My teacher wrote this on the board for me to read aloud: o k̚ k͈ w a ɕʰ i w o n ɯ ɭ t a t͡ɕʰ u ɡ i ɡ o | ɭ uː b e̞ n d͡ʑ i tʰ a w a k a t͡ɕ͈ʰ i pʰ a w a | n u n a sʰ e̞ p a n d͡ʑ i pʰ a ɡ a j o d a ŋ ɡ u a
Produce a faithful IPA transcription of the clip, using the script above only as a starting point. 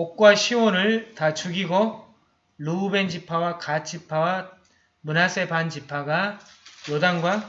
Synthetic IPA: o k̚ k͈ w a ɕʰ i w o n ɯ ɭ t a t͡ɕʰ u ɡ i ɡ o | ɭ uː b e̞ n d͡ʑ i pʰ a w a k a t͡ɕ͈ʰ i pʰ a w a | m u n a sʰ e̞ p a n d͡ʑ i pʰ a ɡ a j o d a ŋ ɡ w a

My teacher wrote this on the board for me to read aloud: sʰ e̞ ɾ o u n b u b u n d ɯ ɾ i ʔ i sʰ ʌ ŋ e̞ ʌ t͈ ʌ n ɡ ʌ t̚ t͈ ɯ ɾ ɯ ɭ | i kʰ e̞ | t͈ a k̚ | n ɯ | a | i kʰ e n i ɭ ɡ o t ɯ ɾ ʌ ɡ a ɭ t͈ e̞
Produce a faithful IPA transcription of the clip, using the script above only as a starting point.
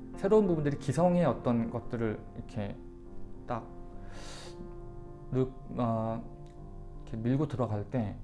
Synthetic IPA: sʰ e̞ ɾ o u n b u b u n d ɯ ɾ i k i sʰ ʌ ŋ e̞ ʌ t͈ ʌ n ɡ ʌ t̚ t͈ ɯ ɾ ɯ ɭ | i kʰ e̞ | t͈ a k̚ | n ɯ | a | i kʰ e m i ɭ ɡ o t ɯ ɾ ʌ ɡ a ɭ t͈ e̞

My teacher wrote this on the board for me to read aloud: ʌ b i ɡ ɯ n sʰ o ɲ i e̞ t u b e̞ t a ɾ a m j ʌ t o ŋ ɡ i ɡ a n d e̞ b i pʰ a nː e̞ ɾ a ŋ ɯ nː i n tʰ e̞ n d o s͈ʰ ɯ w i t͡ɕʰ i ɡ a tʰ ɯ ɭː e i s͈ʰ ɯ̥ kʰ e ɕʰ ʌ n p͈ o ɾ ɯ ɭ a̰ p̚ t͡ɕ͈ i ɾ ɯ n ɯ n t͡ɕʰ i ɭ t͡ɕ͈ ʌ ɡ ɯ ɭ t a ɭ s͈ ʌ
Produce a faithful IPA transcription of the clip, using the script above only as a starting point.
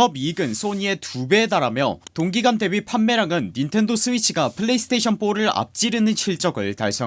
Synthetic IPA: ʌ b i ɡ ɯ n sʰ o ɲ i e̞ t u b e̞ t a ɾ a m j ʌ t o ŋ ɡ i ɡ a n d e̞ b i pʰ a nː e̞ ɾ a ŋ ɯ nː i n tʰ e̞ n d o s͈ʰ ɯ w i t͡ɕʰ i ɡ a pʰ ɯ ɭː e i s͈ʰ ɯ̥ tʰ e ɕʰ ʌ n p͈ o ɾ ɯ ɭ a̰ p̚ t͡ɕ͈ i ɾ ɯ n ɯ n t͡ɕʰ i ɭ t͡ɕ͈ ʌ ɡ ɯ ɭ t a ɭ s͈ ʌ

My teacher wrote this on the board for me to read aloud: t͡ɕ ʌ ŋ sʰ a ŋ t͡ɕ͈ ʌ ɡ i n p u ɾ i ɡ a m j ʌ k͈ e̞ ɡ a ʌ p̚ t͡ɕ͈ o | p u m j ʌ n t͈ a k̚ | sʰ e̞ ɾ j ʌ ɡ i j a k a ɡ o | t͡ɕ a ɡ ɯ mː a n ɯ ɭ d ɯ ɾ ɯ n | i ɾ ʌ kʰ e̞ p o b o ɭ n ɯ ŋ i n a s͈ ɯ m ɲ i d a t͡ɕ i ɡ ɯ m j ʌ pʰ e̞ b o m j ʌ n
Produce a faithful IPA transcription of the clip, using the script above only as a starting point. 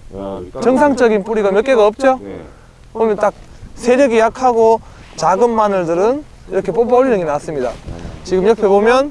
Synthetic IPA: t͡ɕ ʌ ŋ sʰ a ŋ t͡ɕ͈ ʌ ɡ i n p u ɾ i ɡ a m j ʌ k͈ e̞ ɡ a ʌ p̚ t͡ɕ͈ o | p o m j ʌ n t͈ a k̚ | sʰ e̞ ɾ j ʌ ɡ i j a kʰ a ɡ o | t͡ɕ a ɡ ɯ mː a n ɯ ɭ d ɯ ɾ ɯ n | i ɾ ʌ kʰ e̞ p o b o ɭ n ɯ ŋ i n a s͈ ɯ m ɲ i d a t͡ɕ i ɡ ɯ m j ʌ pʰ e̞ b o m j ʌ n

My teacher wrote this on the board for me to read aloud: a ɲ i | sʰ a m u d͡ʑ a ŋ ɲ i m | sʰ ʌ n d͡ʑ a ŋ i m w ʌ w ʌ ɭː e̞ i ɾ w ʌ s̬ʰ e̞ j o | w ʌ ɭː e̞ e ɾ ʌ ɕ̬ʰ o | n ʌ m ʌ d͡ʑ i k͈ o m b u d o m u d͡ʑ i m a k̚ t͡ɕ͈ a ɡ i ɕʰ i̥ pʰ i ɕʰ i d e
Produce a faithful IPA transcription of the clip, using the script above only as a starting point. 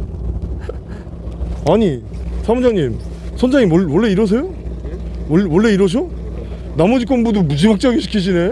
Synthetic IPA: a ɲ i | sʰ a m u d͡ʑ a ŋ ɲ i m | sʰ ʌ n d͡ʑ a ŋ i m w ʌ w ʌ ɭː e̞ i ɾ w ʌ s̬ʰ e̞ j o | w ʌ ɭː e̞ i ɾ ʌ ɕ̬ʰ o | n a m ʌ d͡ʑ i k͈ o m b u d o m u d͡ʑ i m a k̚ t͡ɕ͈ a ɡ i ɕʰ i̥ kʰ i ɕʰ i n e

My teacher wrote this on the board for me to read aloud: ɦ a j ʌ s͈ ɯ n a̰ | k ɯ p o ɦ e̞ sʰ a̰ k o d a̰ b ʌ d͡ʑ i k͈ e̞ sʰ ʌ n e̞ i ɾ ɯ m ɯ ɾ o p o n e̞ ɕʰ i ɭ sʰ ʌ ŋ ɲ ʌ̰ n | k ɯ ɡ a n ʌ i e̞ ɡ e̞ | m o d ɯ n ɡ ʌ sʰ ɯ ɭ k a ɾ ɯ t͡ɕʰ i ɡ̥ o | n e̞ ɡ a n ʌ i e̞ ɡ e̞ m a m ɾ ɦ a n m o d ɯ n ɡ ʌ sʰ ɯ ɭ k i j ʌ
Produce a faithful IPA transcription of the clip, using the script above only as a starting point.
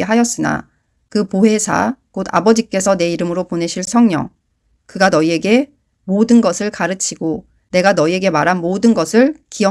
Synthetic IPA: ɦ a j ʌ s͈ ɯ n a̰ | k ɯ p o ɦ e̞ sʰ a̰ k o d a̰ b ʌ d͡ʑ i k͈ e̞ sʰ ʌ n e̞ i ɾ ɯ m ɯ ɾ o p o n e̞ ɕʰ i ɭ sʰ ʌ ŋ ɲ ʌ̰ ŋ | k ɯ ɡ a n ʌ i e̞ ɡ e̞ | m o d ɯ n ɡ ʌ sʰ ɯ ɭ k a ɾ ɯ t͡ɕʰ i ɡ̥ o | n e̞ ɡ a n ʌ i e̞ ɡ e̞ m a ɾ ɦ a n m o d ɯ n ɡ ʌ sʰ ɯ ɭ k i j ʌ

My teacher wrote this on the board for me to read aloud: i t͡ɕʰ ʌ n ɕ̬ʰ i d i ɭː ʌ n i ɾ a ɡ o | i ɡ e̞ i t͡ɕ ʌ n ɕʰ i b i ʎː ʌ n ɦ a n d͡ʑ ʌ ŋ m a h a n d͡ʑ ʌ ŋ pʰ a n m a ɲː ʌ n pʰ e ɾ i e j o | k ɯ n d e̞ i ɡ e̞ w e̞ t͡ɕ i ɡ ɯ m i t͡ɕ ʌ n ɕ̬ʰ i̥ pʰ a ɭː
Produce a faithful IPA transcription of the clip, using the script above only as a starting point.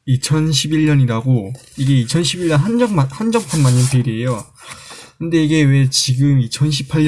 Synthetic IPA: i t͡ɕʰ ʌ n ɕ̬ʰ i b i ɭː ʌ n i ɾ a ɡ o | i ɡ e̞ i t͡ɕʰ ʌ n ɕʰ i b i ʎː ʌ n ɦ a n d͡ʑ ʌ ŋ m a h a n d͡ʑ ʌ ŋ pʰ a n m a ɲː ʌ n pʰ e ɾ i e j o | k ɯ n d e̞ i ɡ e̞ w e̞ t͡ɕ i ɡ ɯ m i t͡ɕʰ ʌ n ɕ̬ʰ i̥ pʰ a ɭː

